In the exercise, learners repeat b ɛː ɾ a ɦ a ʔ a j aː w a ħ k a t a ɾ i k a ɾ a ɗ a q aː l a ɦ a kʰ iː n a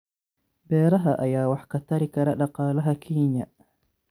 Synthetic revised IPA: b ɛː ɾ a ɦ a ʔ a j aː w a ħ k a t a ɾ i k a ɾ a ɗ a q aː l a ɦ a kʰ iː ɲ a